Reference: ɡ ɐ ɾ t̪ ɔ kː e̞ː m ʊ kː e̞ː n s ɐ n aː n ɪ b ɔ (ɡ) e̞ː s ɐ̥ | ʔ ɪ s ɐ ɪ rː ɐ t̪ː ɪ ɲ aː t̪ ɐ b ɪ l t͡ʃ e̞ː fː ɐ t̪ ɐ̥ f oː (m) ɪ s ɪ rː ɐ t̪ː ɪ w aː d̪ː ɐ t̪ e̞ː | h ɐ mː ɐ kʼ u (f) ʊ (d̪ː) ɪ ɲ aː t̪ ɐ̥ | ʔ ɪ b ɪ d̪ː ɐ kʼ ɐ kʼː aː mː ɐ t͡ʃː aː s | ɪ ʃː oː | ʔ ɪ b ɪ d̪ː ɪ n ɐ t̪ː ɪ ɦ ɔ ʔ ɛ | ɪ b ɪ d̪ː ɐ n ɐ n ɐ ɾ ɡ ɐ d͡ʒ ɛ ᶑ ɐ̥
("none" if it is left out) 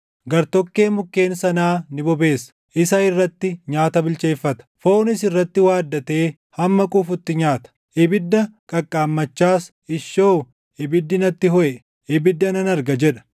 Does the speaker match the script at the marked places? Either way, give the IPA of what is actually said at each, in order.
b, n, f, t̪ː

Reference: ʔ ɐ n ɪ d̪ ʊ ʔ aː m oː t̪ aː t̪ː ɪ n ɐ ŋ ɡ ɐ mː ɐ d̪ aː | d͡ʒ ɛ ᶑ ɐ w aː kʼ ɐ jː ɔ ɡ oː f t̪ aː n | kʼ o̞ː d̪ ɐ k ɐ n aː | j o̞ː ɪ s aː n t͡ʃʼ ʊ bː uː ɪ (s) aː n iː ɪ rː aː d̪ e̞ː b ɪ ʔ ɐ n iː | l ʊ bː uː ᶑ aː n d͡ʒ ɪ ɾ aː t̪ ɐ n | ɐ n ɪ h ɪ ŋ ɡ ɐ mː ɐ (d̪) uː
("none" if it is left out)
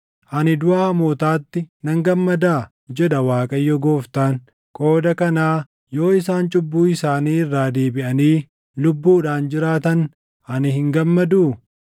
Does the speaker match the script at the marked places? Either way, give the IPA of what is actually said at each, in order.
s, d̪

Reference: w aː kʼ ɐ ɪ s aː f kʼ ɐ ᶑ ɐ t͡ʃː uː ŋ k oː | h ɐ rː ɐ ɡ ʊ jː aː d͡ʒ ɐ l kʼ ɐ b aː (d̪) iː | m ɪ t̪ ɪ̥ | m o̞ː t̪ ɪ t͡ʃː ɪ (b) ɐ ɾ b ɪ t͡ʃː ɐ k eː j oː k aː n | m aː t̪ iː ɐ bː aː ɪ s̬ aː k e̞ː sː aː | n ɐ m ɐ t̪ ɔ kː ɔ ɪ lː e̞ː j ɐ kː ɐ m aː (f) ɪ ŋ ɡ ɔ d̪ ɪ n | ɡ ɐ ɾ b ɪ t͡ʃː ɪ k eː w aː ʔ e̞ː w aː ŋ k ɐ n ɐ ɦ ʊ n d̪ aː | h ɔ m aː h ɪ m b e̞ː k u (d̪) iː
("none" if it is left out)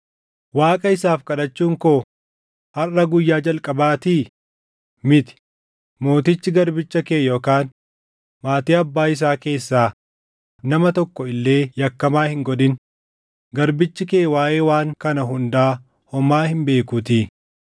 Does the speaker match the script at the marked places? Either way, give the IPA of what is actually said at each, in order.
t̪, ɡ, h, t̪

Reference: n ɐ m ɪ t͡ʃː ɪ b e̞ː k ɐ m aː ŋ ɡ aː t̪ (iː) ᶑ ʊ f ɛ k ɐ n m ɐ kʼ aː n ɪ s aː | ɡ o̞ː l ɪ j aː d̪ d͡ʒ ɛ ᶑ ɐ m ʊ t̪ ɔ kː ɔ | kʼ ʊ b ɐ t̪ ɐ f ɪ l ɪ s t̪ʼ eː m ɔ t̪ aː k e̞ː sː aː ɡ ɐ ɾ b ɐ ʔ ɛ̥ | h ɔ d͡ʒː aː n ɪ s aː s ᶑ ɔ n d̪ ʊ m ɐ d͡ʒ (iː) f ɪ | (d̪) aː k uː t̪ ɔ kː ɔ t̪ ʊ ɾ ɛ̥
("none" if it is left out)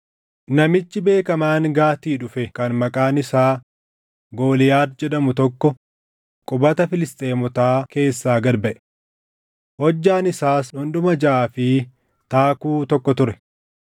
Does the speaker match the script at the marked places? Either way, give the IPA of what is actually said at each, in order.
iː, aː, t̪

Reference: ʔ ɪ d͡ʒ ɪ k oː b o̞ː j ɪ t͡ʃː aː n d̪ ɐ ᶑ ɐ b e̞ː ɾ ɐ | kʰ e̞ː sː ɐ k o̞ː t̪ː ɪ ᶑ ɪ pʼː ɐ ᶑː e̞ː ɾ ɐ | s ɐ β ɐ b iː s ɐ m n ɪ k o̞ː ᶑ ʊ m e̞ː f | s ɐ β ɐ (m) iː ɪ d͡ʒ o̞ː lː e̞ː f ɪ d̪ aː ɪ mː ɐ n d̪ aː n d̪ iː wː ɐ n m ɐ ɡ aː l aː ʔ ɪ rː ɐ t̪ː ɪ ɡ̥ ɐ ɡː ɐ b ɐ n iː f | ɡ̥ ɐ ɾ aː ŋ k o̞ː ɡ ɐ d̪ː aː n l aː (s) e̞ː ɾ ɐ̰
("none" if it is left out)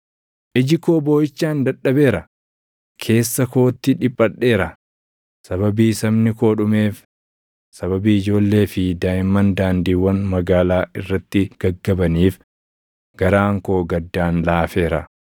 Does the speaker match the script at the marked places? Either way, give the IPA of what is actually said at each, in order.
b, f

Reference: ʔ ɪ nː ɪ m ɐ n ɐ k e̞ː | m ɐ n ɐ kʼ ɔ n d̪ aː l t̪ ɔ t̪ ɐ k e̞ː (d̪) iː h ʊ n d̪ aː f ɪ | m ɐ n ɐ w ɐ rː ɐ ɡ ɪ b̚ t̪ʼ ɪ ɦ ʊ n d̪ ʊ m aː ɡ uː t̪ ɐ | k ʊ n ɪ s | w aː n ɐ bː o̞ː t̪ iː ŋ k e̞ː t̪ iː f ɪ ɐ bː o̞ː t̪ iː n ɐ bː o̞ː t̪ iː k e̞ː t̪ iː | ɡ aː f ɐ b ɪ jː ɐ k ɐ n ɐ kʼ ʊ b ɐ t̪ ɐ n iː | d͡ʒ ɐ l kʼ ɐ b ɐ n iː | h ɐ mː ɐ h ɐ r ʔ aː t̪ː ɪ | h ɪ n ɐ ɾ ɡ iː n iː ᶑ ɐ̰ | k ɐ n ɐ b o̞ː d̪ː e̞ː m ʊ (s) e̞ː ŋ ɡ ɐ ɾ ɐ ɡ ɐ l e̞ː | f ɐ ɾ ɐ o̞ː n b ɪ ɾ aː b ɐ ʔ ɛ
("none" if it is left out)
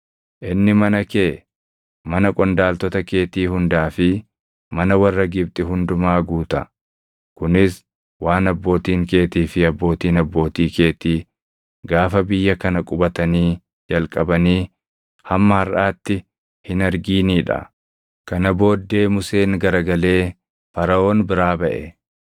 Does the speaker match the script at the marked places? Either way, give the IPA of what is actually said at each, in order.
t̪, s

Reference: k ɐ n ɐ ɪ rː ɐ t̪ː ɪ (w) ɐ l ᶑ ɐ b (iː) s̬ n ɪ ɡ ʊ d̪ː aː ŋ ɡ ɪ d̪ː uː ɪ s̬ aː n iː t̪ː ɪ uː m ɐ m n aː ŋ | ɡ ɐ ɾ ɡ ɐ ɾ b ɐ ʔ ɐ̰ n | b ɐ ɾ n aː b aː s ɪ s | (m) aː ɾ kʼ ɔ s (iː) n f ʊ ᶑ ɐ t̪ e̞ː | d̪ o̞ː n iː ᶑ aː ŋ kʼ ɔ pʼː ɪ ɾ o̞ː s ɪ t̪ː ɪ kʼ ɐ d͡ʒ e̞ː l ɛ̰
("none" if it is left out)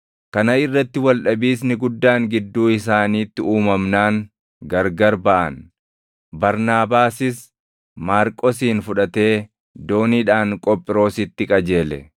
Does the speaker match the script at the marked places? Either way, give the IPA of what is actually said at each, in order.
w, iː, m, iː

